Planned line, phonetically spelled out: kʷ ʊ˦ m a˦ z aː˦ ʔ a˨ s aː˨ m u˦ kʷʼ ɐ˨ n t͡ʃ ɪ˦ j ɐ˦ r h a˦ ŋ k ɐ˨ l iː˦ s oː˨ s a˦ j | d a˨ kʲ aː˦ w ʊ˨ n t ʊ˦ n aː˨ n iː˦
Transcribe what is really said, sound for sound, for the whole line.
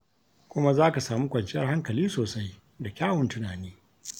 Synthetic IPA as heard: kʷ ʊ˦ m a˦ z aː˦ k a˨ s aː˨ m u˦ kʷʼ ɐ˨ n t͡ʃ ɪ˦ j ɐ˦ r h a˦ ŋ k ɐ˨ l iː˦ s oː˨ s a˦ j | d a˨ kʲ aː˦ w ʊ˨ n t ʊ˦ n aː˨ n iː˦